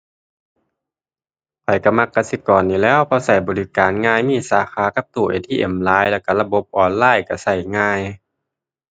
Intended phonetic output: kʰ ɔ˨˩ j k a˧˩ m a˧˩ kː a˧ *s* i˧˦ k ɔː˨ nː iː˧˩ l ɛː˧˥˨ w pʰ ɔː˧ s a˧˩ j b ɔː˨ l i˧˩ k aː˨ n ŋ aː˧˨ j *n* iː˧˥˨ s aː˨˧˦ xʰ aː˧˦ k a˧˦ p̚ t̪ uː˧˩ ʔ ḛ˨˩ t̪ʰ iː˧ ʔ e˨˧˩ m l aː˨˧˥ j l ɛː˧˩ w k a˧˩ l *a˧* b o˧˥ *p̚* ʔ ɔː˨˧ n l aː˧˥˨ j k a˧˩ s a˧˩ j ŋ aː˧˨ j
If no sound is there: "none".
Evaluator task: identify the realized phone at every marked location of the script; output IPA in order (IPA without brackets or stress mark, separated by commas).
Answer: s, m, a˧, p̚